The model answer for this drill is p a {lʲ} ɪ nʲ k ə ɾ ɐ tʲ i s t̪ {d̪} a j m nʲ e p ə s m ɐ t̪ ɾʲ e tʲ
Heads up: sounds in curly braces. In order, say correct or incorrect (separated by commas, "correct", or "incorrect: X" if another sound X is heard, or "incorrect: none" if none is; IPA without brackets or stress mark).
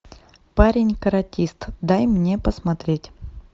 incorrect: ɾʲ, correct